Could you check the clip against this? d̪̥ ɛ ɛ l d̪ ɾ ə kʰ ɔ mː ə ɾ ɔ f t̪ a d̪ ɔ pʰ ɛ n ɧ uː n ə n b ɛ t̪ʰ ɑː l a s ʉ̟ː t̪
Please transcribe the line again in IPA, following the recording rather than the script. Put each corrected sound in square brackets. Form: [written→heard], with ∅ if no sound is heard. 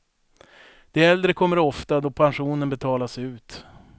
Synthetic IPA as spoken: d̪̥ ɛ ɛ l d̪ ɾ ə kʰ ɔ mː ə ɾ ɔ f t̪ a d̪ ɔ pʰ [ɛ→a] n ɧ uː n ə n b ɛ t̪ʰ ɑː l a s ʉ̟ː t̪